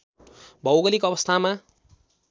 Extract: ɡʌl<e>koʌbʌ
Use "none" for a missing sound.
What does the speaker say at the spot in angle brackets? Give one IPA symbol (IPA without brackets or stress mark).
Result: i